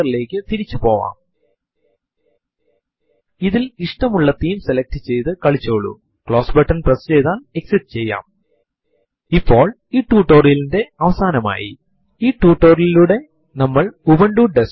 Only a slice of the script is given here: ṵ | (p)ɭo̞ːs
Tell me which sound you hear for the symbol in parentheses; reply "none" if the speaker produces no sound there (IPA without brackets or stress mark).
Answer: k